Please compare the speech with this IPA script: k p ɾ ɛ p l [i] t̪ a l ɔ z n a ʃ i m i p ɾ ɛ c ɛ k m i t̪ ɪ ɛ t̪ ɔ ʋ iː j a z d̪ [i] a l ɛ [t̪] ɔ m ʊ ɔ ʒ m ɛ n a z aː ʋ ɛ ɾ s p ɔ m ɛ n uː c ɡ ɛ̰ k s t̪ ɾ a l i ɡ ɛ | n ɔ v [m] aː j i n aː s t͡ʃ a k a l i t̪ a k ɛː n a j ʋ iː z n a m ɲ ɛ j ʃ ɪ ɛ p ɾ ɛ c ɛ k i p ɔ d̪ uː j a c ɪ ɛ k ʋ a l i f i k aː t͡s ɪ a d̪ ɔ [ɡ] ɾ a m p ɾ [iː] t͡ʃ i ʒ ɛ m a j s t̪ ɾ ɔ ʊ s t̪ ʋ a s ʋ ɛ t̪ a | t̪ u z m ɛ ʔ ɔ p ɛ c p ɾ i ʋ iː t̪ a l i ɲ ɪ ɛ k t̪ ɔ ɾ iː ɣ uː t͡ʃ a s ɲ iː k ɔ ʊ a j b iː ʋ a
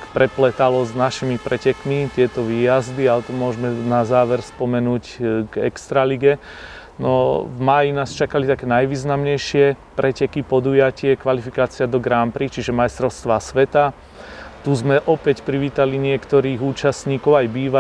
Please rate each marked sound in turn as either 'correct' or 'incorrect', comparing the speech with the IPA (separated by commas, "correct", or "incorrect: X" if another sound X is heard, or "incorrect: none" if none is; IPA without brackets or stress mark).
incorrect: ɛ, correct, correct, correct, correct, incorrect: i